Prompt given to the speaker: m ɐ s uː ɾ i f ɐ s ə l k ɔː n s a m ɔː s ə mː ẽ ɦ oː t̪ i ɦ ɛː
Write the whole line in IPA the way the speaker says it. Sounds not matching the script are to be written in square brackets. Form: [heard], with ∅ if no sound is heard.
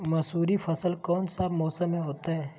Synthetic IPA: m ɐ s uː ɾ i f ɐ s ə l k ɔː n s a m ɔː s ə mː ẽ ɦ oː t̪ [a] ɦ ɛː